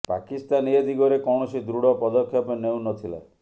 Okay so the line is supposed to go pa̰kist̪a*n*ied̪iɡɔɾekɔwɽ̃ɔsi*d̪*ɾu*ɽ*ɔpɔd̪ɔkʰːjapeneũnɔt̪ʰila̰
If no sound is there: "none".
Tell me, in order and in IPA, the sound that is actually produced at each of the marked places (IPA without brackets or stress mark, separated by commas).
n, d̪, ɽ